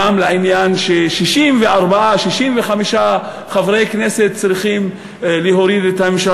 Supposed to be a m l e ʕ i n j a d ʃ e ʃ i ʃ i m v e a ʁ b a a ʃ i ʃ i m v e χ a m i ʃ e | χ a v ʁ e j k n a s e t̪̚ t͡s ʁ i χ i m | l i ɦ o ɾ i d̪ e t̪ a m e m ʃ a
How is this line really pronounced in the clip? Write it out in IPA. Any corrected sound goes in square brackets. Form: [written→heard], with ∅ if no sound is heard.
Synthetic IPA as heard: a m l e ʕ i n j a [d→n] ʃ e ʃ i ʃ i m v e a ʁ b a a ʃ i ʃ i m v e χ a m i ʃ [e→a] | χ a v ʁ e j k n [a→e] s e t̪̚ t͡s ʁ i χ i m | l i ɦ o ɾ i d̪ e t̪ a m e m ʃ a